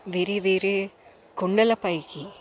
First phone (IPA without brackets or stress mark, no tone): ʋ